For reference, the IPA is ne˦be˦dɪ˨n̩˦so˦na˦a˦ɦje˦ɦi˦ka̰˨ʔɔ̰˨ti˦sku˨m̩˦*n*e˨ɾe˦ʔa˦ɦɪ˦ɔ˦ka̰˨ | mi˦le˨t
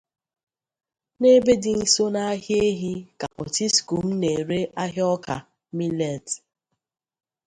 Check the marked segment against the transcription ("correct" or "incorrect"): correct